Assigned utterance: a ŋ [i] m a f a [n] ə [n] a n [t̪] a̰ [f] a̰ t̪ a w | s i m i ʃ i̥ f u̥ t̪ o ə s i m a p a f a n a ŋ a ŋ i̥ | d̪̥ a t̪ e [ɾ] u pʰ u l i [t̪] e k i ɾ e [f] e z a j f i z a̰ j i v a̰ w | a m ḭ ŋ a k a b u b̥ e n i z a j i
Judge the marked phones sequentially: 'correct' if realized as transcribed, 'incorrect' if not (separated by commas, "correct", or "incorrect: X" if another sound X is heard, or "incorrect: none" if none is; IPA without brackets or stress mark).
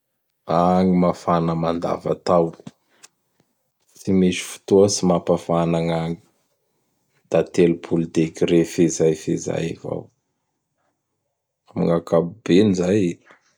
correct, correct, incorrect: m, incorrect: d̪, incorrect: v, incorrect: l, incorrect: d̪, correct